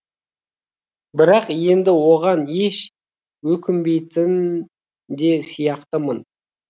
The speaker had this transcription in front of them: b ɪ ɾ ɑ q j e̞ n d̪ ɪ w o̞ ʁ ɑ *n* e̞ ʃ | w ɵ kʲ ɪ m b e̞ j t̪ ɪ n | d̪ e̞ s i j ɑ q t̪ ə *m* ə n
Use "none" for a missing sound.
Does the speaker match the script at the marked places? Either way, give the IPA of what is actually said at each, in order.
n, m

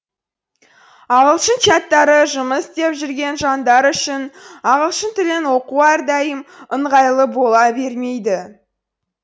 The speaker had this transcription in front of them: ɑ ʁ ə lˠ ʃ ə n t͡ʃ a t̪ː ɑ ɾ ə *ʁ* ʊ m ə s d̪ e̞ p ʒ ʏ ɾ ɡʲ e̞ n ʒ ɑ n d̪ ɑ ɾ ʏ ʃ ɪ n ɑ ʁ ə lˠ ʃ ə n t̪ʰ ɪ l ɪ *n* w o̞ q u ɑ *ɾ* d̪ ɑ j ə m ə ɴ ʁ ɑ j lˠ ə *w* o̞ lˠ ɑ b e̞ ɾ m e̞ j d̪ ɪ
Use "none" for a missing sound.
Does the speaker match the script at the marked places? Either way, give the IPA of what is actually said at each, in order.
ʒ, n, ɾ, b

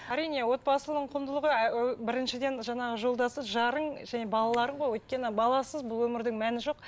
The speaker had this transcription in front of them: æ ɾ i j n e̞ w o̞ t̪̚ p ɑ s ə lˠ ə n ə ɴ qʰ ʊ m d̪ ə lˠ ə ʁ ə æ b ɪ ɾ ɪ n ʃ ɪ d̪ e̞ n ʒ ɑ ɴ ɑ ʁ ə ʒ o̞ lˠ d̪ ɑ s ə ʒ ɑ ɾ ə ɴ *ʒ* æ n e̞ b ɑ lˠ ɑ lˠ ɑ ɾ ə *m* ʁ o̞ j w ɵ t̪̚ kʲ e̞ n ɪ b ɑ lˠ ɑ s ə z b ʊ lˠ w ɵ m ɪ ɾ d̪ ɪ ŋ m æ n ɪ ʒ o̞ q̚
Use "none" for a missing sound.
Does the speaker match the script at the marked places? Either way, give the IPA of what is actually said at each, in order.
ʒ, ɴ

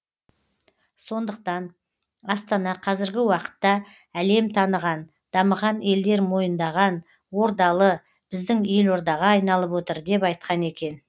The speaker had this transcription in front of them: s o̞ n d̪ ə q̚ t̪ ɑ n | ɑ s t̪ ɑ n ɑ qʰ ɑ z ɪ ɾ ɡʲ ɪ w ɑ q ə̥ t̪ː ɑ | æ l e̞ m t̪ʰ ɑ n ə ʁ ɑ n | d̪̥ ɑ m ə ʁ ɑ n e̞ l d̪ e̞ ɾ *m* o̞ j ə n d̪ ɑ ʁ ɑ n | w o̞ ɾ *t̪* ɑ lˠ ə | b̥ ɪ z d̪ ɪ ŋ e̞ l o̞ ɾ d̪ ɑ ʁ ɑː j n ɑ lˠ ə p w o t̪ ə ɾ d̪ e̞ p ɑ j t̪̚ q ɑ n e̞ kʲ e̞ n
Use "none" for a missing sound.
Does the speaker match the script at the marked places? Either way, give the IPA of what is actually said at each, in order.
m, d̪

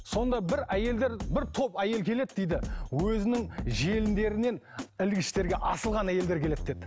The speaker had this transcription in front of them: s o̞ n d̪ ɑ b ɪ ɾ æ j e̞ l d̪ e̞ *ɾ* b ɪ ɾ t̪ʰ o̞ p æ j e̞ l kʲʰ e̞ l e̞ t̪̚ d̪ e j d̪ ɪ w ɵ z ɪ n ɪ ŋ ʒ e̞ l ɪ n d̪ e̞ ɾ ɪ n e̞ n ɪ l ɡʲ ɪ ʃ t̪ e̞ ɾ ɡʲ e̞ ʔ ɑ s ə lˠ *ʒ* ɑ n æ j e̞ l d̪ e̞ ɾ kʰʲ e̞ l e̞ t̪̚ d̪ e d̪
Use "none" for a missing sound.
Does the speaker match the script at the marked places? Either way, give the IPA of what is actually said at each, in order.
ɾ, ʁ

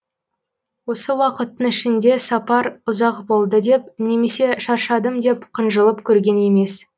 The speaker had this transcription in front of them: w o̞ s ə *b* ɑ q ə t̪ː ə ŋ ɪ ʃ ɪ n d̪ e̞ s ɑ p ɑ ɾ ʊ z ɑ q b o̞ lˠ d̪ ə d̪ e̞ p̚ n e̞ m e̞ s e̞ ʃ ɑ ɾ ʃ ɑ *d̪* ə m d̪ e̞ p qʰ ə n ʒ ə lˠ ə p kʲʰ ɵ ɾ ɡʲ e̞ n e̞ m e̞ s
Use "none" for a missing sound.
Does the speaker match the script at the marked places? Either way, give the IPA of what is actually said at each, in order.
w, d̪

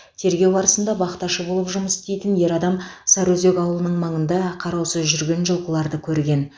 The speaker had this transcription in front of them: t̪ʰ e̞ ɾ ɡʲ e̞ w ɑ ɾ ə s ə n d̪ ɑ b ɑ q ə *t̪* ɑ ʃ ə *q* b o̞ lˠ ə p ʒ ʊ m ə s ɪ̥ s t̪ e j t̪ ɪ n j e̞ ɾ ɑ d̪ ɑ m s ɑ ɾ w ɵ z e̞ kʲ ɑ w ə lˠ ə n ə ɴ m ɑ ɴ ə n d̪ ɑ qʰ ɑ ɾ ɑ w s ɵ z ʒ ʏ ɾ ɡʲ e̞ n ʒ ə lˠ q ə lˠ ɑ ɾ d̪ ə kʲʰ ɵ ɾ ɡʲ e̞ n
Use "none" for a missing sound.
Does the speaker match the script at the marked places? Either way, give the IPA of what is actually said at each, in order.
t̪, none

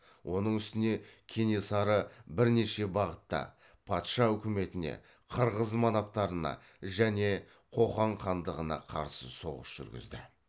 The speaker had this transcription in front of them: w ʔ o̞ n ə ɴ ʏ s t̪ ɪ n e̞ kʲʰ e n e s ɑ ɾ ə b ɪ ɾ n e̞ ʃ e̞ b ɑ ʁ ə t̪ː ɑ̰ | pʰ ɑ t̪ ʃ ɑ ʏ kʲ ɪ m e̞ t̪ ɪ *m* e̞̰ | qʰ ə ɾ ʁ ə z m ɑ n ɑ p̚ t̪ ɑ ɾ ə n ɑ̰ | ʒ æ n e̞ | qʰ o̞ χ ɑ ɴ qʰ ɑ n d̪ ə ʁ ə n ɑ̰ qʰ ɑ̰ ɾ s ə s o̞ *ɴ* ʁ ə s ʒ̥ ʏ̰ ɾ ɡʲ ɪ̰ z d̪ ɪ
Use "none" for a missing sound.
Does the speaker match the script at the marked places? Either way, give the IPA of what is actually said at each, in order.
n, none

